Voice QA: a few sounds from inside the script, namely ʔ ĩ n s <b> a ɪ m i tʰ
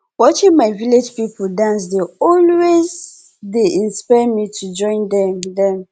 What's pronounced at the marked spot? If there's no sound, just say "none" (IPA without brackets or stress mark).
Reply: p